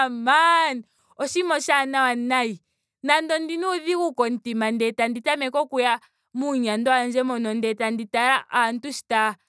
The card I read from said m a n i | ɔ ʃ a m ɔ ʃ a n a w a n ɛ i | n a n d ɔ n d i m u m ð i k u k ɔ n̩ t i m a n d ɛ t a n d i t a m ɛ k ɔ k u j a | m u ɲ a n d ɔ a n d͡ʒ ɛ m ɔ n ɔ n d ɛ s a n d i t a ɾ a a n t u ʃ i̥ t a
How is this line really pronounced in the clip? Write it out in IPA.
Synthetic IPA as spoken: m a n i | ɔ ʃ i m ɔ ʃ a n a w a n a i | n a n d ɔ n d i n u ð i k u k ɔ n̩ t i m a n d ɛ t a n d i t a m ɛ k ɔ k u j a | m u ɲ a n d ɔ a n d͡ʒ ɛ m ɔ n ɔ n d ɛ t a n d i t a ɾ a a n t u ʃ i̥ t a